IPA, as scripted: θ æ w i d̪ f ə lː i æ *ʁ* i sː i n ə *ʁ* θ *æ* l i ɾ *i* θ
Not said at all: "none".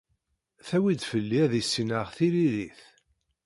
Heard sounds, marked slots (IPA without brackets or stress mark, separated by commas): ð, ʁ, i, i